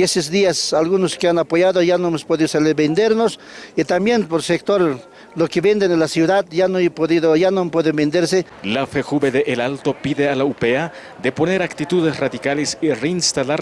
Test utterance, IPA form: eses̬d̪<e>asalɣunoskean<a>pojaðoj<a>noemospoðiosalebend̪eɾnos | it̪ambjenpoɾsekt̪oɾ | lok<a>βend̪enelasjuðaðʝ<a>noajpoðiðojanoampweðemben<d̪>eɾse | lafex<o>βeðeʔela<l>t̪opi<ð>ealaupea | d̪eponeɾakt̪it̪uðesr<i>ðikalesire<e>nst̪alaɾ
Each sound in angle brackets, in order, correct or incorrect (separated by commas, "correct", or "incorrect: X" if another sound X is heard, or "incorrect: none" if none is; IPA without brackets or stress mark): incorrect: i, correct, correct, incorrect: e, correct, correct, incorrect: u, correct, correct, incorrect: a, incorrect: i